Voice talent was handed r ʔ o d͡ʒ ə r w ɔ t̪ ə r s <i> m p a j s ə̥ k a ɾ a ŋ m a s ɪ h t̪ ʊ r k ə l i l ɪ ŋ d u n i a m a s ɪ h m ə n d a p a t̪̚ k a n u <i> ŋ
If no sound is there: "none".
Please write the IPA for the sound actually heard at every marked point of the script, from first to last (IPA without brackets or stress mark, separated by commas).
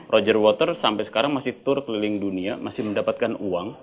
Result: a, a